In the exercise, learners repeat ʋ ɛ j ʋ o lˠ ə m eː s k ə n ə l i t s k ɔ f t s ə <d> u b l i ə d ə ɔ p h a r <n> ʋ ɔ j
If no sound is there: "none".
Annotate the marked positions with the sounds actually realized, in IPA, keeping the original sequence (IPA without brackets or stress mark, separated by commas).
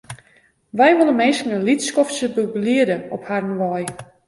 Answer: b, n